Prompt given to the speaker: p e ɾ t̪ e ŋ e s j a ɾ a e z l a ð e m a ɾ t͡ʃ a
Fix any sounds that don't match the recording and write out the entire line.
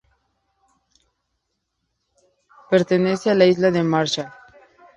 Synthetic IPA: p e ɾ t̪ e n e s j a l a i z l a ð e m a ɾ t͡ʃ a